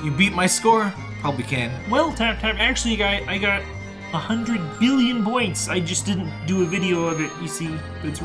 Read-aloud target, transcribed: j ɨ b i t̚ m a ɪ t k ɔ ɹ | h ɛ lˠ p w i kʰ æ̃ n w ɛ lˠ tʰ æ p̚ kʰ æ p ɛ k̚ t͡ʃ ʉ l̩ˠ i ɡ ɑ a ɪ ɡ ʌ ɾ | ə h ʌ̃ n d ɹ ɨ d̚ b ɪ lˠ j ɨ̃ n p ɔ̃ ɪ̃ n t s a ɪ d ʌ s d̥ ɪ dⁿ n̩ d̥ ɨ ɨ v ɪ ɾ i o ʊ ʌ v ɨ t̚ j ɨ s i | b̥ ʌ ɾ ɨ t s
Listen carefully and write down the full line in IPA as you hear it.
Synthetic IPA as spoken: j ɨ b i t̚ m a ɪ s k ɔ ɹ | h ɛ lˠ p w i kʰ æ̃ n w ɛ lˠ tʰ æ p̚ tʰ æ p æ k̚ t͡ʃ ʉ l̩ˠ i ɡ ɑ a ɪ ɡ ɑ ɾ | ə h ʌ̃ n d ɹ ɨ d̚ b ɪ lˠ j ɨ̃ n p ɔ̃ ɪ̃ n t s a ɪ d͡ʒ ʌ s d̥ ɪ dⁿ n̩ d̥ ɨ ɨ v ɪ ɾ i o ʊ ʌ v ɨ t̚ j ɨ s i | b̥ ʌ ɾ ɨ t s